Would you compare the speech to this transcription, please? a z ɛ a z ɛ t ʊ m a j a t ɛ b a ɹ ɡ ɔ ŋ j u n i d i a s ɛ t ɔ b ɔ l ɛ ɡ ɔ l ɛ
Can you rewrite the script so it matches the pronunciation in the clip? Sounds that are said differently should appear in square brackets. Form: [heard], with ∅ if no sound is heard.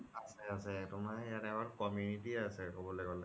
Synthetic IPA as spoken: a [s] ɛ a [s] ɛ t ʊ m a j a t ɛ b a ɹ [k] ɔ [m] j u n i [t] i a s ɛ [k] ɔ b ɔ l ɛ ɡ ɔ l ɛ